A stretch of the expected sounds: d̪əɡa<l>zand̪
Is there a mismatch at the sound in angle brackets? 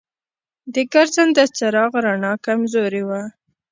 yes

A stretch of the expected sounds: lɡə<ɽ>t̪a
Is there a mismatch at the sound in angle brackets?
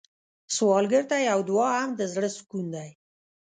yes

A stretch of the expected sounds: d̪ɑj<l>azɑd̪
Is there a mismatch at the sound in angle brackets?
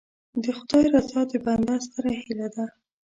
yes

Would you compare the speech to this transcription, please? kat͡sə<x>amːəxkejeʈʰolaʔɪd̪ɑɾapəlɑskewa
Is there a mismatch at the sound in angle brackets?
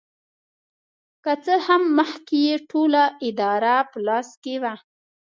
yes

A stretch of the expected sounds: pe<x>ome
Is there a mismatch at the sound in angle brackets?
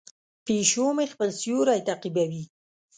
yes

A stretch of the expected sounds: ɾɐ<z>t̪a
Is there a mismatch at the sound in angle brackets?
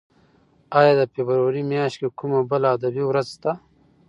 no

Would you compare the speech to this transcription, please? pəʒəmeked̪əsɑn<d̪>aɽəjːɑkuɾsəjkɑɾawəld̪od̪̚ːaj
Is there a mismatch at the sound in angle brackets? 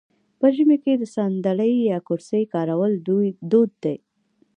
no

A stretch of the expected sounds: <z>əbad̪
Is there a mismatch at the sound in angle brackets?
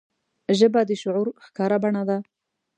yes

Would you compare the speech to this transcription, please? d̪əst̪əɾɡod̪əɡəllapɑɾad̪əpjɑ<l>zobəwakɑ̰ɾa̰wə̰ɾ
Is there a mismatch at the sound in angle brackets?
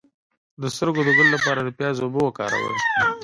yes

